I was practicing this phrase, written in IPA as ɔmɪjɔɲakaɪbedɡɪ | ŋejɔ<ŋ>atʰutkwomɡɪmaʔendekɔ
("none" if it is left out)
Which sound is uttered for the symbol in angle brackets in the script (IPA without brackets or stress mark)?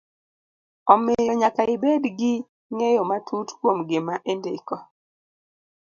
m